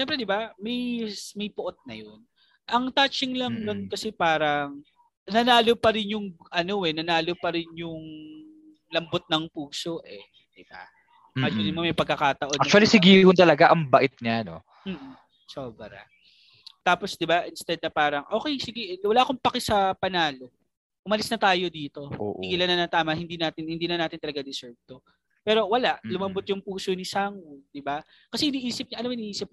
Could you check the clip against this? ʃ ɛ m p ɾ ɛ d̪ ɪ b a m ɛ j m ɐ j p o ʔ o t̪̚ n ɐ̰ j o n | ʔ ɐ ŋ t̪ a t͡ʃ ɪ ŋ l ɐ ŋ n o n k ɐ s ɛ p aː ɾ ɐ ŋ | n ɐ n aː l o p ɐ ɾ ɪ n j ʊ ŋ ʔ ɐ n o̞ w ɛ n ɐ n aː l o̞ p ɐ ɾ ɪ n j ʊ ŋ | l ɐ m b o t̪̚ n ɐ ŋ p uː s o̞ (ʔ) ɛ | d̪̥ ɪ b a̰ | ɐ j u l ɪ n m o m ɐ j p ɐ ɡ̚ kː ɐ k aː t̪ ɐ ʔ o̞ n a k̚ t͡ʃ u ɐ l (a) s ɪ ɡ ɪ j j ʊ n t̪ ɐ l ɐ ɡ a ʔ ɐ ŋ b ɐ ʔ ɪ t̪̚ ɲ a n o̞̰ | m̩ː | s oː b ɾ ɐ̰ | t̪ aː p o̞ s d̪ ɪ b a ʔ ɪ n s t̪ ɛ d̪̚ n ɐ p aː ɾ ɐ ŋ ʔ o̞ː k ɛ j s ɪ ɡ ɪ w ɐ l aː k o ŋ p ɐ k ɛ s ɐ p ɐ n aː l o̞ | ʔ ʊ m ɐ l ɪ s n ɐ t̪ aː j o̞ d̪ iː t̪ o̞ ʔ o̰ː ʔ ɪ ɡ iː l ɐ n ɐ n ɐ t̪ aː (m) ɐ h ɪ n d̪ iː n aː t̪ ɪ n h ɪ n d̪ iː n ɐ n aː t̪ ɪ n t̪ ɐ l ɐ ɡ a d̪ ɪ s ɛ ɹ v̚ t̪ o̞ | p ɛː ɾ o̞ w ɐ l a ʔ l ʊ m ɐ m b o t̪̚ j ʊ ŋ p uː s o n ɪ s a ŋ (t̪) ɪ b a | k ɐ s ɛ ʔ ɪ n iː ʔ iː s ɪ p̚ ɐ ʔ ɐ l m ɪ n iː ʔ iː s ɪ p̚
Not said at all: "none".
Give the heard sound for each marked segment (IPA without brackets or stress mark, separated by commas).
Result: ʔ, i, m, d̪